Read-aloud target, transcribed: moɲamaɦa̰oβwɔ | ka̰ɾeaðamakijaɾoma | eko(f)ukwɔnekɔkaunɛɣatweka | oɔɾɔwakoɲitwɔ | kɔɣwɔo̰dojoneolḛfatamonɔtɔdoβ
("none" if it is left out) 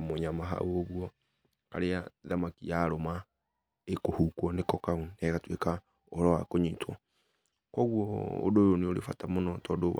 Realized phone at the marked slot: h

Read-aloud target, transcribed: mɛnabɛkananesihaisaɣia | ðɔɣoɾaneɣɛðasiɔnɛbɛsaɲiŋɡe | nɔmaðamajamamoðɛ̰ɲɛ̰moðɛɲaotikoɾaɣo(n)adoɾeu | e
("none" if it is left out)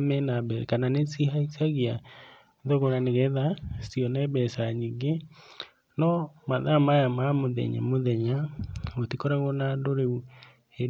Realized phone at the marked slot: n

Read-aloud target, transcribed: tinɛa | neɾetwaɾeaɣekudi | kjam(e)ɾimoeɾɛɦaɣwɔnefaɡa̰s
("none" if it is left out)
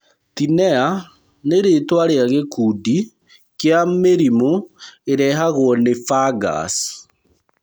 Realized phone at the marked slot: e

